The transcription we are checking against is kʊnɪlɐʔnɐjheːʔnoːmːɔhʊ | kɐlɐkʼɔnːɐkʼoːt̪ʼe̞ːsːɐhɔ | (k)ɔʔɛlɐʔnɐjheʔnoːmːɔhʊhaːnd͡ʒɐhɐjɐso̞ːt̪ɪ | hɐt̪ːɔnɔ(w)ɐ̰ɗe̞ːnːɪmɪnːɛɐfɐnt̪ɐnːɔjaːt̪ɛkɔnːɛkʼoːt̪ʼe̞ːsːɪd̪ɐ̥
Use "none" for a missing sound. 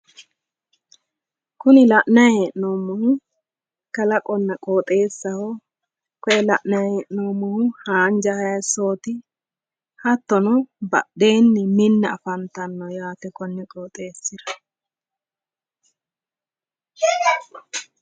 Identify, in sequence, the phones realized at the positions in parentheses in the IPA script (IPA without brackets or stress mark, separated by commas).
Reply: k, b